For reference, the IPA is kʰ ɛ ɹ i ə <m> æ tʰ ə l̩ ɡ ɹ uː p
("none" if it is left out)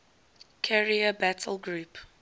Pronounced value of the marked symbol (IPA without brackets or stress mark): b